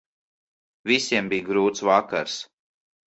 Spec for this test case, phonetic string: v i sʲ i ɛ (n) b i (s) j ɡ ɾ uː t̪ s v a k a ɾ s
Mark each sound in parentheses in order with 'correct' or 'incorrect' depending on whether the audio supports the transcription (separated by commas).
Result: incorrect, incorrect